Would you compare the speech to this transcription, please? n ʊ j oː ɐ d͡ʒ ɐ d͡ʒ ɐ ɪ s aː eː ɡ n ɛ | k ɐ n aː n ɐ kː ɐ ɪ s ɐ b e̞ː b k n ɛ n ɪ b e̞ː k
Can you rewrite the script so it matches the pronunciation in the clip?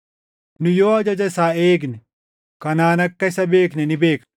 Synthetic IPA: n ʊ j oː ɐ d͡ʒ ɐ d͡ʒ ɐ ɪ s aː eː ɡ n ɛ | k ɐ n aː n ɐ kː ɐ ɪ s ɐ b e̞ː k n ɛ n ɪ b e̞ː k